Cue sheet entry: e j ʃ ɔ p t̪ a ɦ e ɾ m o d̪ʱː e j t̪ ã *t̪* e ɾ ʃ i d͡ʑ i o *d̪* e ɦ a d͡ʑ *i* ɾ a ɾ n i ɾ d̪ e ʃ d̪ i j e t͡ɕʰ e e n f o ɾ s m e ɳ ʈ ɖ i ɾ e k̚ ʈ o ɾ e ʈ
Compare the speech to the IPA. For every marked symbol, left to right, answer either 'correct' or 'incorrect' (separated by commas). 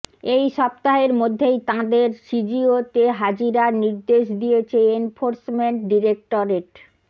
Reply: incorrect, incorrect, correct